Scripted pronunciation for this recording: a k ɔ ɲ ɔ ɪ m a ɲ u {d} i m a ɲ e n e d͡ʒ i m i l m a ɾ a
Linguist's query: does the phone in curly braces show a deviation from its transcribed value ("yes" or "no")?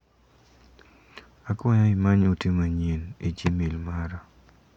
yes